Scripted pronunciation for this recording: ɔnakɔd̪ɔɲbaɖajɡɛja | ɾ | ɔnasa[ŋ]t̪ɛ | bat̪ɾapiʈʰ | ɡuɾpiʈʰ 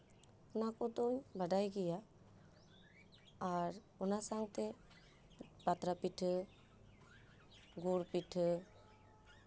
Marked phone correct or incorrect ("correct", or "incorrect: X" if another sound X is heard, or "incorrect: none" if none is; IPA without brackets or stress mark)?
correct